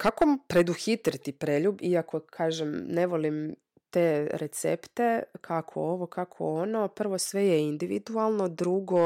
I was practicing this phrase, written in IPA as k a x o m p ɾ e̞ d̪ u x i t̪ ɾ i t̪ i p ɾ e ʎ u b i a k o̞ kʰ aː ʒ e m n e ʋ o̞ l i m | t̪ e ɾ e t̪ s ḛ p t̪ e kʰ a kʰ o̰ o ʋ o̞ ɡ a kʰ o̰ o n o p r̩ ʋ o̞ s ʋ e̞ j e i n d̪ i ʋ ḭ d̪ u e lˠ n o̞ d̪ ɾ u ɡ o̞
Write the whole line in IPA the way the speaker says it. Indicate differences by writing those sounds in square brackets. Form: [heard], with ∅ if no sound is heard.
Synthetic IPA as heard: k a [k] o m p ɾ e̞ d̪ u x i t̪ ɾ i t̪ i p ɾ e ʎ u b i a k o̞ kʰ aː ʒ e m n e ʋ o̞ l i m | t̪ e ɾ e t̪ s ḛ p t̪ e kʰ a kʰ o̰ o ʋ o̞ [k] a kʰ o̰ o n o p r̩ ʋ o̞ s ʋ e̞ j e i n d̪ i ʋ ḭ d̪ u [a] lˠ n o̞ d̪ ɾ u ɡ o̞